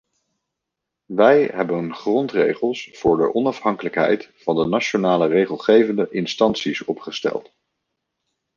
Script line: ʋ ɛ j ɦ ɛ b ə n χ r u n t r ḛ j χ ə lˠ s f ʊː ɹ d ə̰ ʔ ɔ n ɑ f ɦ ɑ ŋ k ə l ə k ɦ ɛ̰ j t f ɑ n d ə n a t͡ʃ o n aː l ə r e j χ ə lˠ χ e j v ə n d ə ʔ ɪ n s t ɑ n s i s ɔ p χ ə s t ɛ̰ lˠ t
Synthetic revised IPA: ʋ ɛ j ɦ ɛ b ə n χ r ɔ n t r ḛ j χ ə lˠ s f ʊː ɹ d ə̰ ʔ ɔ n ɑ f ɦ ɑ ŋ k ə l ə k ɦ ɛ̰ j t f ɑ n d ə n a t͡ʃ o n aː l ə r e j χ ə lˠ χ e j v ə n d ə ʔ ɪ n s t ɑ n s i s ɔ p χ ə s t ɛ̰ lˠ t